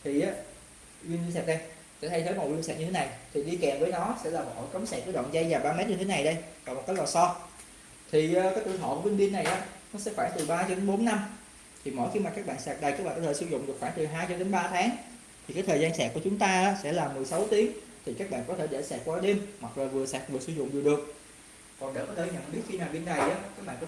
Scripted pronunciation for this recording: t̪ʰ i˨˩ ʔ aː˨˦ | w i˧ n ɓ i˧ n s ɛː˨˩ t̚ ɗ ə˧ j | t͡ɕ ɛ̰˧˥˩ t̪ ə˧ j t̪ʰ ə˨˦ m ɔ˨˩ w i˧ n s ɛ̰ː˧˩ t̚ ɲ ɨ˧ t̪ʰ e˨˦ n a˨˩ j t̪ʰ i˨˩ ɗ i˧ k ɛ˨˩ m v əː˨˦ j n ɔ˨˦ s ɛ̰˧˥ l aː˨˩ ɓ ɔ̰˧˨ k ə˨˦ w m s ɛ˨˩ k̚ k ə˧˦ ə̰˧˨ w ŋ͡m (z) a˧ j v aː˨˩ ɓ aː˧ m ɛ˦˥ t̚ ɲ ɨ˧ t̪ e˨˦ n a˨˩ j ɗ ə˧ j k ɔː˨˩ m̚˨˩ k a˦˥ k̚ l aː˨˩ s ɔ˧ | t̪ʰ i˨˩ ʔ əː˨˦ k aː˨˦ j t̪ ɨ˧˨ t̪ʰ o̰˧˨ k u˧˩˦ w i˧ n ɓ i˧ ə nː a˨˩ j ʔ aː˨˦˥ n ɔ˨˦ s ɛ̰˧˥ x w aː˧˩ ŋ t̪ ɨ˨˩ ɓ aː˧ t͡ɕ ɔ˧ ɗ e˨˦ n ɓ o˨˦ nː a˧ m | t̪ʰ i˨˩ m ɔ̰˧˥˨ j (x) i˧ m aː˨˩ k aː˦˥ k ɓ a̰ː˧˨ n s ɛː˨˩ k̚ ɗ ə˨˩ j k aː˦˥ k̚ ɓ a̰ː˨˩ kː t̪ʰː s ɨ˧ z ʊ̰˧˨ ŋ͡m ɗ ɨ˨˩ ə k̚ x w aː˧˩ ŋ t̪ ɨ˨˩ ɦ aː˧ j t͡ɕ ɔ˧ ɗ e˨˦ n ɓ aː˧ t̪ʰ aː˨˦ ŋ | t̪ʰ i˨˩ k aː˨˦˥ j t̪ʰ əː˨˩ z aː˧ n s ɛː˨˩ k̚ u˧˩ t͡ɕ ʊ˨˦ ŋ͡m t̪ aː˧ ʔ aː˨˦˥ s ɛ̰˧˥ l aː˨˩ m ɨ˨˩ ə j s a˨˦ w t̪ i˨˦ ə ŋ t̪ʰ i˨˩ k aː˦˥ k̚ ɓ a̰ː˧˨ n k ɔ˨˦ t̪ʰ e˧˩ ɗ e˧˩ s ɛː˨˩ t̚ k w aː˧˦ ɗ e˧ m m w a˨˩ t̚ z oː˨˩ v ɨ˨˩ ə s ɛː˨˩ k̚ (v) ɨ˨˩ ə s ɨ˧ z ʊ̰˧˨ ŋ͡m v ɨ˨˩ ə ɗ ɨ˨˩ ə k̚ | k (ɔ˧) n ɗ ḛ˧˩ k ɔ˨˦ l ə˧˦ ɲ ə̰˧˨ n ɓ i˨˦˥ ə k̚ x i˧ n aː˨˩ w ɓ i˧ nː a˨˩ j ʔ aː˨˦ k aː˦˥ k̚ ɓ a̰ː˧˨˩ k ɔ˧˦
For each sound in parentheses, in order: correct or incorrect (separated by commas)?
correct, correct, correct, incorrect